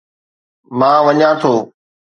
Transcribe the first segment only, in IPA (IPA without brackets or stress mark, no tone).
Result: m